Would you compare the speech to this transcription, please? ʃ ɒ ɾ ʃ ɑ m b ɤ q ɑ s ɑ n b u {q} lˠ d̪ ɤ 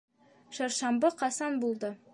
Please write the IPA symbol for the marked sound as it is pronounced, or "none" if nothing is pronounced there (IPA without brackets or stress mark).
none